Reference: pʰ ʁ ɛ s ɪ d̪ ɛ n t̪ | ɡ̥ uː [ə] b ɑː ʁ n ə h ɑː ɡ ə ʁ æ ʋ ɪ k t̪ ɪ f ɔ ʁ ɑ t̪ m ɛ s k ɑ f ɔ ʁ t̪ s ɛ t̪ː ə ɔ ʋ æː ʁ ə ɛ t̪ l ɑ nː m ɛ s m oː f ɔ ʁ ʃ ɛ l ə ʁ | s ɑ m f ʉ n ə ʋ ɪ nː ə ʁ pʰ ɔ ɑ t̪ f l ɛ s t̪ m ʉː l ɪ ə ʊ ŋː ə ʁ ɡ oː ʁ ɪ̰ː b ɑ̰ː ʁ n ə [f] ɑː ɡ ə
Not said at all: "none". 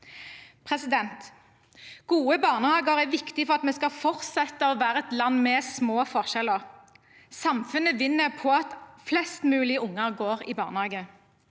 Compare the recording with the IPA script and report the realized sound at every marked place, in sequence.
ə, h

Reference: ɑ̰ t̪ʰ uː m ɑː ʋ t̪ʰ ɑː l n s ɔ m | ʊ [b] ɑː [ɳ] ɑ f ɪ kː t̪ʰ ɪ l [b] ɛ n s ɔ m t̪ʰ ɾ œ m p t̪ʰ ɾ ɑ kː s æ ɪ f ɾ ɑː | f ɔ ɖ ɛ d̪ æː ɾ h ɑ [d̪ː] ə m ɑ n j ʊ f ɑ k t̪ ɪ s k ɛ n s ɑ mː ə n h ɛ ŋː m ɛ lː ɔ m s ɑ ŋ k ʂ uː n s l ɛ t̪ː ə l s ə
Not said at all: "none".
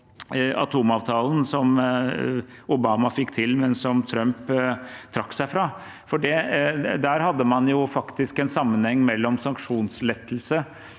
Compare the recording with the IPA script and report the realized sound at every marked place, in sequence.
b, m, m, d̪ː

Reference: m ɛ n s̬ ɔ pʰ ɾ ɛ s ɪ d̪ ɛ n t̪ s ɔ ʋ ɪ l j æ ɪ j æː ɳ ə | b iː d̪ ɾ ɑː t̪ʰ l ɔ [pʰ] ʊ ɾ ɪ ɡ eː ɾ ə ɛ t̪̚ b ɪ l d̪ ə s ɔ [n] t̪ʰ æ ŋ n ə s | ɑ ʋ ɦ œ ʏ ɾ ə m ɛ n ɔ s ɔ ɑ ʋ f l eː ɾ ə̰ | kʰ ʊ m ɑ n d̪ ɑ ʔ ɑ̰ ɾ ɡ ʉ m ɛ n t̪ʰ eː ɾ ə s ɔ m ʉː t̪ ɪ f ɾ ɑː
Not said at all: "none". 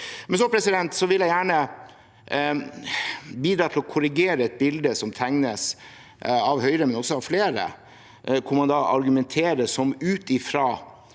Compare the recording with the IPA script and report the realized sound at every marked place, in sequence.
kʰ, m

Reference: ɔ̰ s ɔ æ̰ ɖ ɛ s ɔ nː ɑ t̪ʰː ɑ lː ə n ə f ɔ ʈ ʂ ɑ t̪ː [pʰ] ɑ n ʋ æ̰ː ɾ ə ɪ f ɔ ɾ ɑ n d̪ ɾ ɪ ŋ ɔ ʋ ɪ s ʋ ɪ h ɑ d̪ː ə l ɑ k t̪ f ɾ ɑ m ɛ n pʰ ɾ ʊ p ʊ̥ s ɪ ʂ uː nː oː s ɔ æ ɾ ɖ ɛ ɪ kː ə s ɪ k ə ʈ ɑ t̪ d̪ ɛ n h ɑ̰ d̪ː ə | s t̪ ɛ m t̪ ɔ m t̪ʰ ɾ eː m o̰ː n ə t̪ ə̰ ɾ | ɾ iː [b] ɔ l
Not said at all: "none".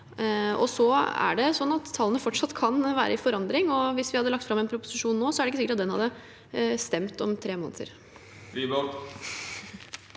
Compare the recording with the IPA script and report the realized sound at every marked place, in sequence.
kʰ, b

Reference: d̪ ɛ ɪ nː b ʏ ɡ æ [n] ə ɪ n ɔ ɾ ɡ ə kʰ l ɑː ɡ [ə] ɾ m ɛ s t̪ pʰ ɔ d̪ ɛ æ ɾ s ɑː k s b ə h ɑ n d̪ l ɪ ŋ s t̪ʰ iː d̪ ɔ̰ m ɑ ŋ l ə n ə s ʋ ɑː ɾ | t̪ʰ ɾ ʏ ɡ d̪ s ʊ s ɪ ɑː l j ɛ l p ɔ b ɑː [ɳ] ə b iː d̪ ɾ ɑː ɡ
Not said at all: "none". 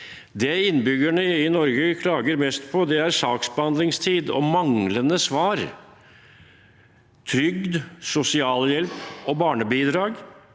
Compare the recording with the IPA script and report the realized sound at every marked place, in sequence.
ɳ, ə, ɳ

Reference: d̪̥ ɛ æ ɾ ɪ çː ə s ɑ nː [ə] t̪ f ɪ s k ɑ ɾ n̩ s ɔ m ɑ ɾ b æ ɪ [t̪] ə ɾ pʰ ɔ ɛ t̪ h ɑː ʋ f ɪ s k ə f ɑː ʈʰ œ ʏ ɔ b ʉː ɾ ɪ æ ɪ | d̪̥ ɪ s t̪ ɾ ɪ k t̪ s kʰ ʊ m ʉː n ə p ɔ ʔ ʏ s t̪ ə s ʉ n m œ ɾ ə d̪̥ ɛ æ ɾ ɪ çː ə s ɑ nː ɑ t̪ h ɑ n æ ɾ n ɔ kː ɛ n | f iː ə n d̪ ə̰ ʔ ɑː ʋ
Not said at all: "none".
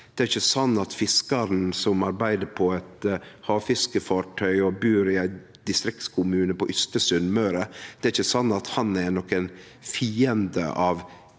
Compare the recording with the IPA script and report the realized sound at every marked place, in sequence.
ɑ, d̪

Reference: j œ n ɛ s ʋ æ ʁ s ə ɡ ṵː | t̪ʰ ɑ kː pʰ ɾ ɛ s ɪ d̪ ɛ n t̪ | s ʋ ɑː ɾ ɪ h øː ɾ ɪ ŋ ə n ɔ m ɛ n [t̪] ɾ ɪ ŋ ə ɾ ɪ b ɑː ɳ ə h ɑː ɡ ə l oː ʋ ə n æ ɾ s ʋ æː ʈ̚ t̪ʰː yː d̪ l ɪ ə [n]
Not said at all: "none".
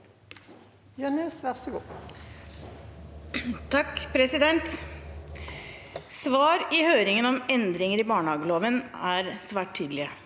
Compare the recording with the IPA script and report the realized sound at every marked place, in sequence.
d̪, none

